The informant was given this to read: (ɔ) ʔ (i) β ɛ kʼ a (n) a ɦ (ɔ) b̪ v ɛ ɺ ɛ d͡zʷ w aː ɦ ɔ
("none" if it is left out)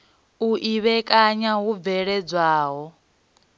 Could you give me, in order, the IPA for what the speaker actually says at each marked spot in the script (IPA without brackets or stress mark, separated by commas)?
u, i, ɲ, u